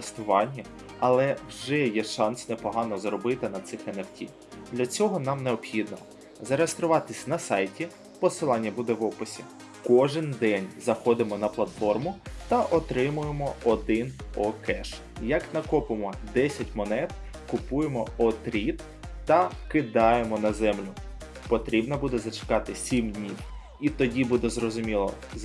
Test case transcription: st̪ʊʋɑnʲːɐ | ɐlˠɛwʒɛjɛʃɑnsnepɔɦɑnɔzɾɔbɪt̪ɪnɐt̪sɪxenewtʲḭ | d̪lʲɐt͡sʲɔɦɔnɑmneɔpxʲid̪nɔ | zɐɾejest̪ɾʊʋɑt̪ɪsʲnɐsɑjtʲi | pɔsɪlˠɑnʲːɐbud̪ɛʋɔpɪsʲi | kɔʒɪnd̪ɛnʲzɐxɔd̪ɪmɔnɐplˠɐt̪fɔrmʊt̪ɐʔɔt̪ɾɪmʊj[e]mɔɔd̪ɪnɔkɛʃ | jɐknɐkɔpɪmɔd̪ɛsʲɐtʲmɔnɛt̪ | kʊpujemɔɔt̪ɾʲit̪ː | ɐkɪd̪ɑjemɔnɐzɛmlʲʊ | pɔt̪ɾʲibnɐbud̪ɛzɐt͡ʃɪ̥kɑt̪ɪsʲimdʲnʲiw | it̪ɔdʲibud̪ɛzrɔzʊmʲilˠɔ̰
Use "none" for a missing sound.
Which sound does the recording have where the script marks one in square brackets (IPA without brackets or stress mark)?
e